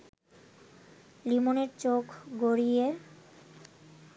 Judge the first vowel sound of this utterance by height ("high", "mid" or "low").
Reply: high